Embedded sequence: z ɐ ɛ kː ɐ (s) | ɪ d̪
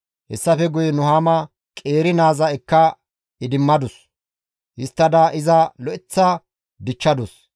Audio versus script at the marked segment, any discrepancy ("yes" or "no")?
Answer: yes